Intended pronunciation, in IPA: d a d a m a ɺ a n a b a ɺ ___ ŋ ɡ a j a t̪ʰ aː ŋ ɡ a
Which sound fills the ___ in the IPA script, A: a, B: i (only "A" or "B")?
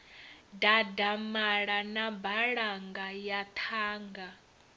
A